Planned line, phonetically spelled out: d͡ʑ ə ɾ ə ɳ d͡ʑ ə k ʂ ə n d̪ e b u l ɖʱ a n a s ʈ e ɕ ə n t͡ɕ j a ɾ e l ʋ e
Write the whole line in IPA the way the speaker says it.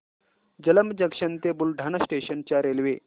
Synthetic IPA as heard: d͡ʑ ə l ə m d͡ʑ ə k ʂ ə n t̪ e b u l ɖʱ a n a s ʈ e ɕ ə n t͡ɕ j a ɾ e l ʋ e